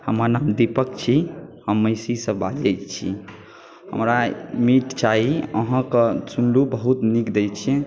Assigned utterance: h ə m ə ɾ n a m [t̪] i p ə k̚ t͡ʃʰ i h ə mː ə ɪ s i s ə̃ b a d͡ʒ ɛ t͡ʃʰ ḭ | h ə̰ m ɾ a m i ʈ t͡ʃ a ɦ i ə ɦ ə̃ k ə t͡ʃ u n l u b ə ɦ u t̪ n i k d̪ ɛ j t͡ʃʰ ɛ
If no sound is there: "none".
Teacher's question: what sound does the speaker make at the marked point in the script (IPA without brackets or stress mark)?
d̪